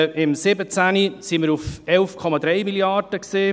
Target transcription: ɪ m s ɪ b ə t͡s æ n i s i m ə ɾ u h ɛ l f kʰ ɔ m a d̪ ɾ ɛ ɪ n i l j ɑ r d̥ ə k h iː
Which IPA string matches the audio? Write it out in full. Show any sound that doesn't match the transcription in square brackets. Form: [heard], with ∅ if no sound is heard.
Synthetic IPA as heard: ɪ m s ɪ b ə t͡s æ n i s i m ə ɾ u [f] ɛ l f kʰ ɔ m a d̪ ɾ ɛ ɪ [m] i l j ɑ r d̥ ə k [s] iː